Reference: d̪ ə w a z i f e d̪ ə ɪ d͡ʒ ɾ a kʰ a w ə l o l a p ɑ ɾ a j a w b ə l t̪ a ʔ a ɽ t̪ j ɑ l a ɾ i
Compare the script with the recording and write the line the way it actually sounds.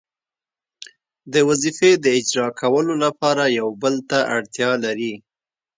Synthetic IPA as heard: d̪ ə w a z i f e d̪ ə ɪ d͡ʒ ɾ ɑ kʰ a w ə l o l a p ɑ ɾ a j a w b ə l t̪ a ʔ a ɽ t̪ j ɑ l a ɾ i